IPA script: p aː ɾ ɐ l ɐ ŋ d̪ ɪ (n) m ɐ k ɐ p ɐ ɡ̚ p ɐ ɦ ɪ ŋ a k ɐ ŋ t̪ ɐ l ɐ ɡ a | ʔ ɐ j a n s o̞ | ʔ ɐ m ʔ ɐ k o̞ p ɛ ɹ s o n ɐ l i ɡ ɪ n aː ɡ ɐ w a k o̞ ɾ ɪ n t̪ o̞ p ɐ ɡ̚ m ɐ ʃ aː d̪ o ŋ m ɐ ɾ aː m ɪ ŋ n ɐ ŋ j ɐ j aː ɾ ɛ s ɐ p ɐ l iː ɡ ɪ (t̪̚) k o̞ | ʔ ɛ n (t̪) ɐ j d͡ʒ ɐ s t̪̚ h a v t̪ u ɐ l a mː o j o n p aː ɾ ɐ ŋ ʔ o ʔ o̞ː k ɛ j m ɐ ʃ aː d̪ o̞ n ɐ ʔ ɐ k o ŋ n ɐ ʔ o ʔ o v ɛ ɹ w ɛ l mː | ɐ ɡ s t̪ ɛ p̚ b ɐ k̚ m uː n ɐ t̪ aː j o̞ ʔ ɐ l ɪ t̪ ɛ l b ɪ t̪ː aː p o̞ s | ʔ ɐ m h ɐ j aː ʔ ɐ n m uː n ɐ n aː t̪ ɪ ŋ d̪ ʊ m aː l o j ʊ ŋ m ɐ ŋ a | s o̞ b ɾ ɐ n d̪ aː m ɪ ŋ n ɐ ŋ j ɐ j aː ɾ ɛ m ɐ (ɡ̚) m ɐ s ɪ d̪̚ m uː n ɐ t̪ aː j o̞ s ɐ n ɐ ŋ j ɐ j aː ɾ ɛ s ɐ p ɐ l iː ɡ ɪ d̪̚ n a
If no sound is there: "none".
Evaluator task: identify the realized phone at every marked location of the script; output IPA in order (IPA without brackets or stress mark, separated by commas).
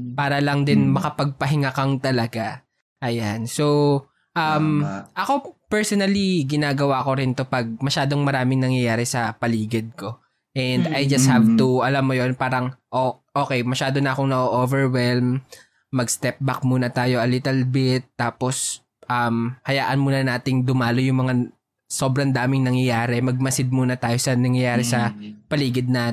n, d̪̚, d̪, ɡ̚